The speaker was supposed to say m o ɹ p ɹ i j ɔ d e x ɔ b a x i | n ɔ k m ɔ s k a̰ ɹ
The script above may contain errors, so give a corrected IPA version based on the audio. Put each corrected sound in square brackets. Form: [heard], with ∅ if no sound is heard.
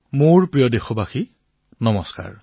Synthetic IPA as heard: m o ɹ p ɹ i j ɔ d e x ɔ b a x i | n ɔ [∅] m ɔ s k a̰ ɹ